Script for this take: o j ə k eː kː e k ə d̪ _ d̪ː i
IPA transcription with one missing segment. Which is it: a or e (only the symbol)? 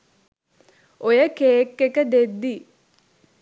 e